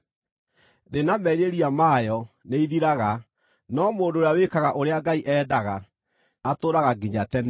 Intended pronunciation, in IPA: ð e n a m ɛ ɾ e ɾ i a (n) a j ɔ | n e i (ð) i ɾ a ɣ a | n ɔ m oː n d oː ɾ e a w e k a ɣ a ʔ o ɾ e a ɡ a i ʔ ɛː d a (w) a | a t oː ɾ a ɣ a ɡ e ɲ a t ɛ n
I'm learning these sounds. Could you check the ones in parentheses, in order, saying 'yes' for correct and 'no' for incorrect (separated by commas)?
no, yes, no